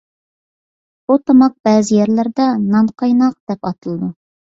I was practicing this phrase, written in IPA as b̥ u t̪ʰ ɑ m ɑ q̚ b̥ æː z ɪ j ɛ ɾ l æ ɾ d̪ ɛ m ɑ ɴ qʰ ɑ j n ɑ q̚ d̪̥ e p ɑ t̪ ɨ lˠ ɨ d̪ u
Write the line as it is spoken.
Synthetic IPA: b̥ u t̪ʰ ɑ m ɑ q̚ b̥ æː z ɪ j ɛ ɾ l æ ɾ d̪ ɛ n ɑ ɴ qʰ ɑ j n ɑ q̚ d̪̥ ɛ p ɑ t̪ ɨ lˠ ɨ d̪ u